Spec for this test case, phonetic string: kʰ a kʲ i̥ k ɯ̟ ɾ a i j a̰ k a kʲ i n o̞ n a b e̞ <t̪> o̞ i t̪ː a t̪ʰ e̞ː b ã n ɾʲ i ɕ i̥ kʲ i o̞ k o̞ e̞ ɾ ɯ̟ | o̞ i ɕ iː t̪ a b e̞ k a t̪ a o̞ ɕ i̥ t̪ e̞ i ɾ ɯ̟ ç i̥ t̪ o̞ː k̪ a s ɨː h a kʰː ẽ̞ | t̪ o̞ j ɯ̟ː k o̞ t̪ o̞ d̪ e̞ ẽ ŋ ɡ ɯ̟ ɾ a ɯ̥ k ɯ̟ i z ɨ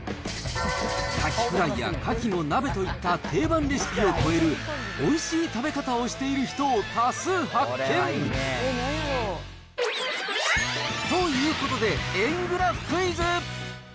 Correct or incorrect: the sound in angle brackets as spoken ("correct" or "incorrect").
correct